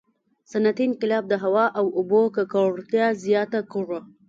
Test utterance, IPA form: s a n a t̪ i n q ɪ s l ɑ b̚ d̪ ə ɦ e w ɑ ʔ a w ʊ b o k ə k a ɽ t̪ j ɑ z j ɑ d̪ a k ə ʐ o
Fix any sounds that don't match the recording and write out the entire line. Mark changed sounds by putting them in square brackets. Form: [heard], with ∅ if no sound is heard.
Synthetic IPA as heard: s a n a t̪ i n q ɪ [∅] l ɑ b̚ d̪ ə ɦ [a] w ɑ ʔ a w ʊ b o k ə k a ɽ t̪ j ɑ z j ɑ [t̪] a k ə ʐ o